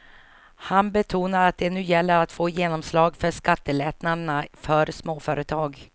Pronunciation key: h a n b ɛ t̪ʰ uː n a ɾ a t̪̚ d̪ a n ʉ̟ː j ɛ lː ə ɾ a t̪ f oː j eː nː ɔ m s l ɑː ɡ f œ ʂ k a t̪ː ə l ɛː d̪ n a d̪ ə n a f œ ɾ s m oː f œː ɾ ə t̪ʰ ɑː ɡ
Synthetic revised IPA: h a n b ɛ t̪ʰ uː n a ɾ a t̪̚ d̪ ɛ n ʉ̟ː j ɛ lː ə ɾ a t̪ f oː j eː n ɔ m s l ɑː ɡ f œ ʂ k a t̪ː ə l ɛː t̪ n a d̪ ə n a f œ ɾ s m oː f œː ɾ ə t̪ʰ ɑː ɡ